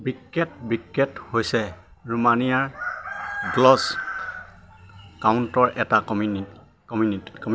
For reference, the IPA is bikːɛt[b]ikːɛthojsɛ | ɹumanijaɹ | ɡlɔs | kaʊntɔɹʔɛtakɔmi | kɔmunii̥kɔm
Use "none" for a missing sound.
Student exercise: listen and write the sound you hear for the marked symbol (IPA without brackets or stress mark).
b